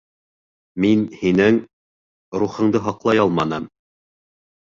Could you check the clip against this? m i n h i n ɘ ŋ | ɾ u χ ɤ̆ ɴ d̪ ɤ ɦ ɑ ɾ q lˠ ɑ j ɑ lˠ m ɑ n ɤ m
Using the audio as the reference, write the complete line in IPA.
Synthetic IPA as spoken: m i n h i n ɘ ŋ | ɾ u χ ɤ̆ ɴ d̪ ɤ ɦ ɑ q lˠ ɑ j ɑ lˠ m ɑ n ɤ m